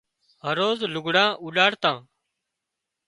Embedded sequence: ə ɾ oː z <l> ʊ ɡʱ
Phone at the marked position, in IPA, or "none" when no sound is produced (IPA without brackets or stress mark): l